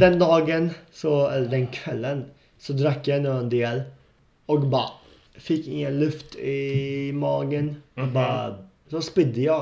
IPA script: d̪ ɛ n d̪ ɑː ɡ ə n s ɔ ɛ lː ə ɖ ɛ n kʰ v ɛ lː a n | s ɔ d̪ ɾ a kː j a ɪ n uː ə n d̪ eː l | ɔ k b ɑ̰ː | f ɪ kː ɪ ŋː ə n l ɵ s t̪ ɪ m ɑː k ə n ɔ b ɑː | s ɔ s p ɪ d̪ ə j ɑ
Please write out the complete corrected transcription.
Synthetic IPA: d̪ ɛ n d̪ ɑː ɡ ə n s ɔ ɛ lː ə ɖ ɛ n kʰ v ɛ lː ə n | s ɔ d̪ ɾ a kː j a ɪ n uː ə n d̪ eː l | ɔ k b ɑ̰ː | f ɪ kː ɪ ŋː ə n l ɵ f t̪ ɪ m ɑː ɡ ə n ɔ b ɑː | s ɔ s p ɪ d̪ ə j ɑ